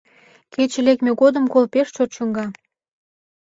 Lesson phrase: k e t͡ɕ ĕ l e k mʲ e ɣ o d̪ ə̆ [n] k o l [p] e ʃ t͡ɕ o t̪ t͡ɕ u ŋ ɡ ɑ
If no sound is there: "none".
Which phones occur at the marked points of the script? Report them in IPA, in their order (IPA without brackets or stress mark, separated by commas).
m, p